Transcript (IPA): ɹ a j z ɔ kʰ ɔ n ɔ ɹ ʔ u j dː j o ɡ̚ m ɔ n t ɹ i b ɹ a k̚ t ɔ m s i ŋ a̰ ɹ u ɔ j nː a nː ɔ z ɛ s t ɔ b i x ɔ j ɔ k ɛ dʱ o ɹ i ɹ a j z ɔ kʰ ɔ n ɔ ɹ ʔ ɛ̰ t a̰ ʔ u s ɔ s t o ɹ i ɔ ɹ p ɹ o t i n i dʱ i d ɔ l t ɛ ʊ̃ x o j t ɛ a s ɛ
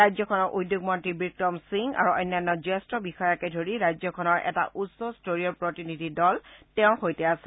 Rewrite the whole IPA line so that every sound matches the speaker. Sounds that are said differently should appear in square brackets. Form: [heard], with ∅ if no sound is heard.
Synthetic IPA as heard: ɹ a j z ɔ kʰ ɔ n ɔ ɹ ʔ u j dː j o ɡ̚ m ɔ n t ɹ i b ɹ [i] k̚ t ɔ m s i ŋ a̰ ɹ u ɔ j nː a nː ɔ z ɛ s t ɔ b i x ɔ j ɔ k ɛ dʱ o ɹ i ɹ a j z ɔ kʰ ɔ n ɔ ɹ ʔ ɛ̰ t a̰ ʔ u s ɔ s t o ɹ i ɔ ɹ p ɹ o t i n i dʱ i d ɔ l t ɛ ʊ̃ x o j t ɛ a s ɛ